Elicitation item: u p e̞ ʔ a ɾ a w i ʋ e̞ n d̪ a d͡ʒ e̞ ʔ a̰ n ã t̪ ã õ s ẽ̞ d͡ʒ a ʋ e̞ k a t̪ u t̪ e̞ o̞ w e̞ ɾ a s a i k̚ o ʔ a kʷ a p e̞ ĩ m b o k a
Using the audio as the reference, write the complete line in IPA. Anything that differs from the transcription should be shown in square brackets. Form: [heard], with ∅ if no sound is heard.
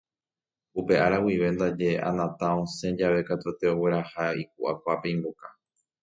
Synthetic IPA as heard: u p e̞ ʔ a ɾ a w i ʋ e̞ n d̪ a d͡ʒ e̞ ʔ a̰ n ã t̪ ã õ s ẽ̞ d͡ʒ a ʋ e̞ k a t̪ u t̪ e̞ o̞ w e̞ ɾ a [h] a i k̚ [u] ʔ a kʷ a p e̞ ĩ m b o k a